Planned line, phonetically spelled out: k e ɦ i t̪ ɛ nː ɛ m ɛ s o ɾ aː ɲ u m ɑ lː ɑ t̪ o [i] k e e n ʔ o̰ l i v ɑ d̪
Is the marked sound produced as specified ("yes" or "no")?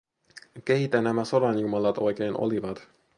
no